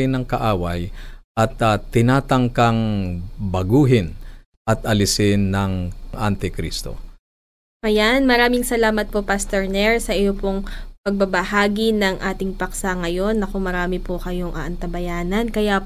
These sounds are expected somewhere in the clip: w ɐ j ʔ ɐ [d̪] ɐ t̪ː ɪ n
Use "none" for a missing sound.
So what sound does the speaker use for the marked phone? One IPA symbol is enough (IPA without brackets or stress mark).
t̪